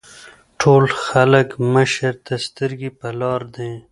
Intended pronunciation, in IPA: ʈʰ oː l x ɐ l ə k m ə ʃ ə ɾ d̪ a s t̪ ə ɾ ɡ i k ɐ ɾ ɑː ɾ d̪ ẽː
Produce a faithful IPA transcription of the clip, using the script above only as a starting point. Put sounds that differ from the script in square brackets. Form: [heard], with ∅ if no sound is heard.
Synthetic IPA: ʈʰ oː l x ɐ l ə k m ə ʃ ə ɾ [t̪] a s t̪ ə ɾ ɡ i [p] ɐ [l] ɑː ɾ d̪ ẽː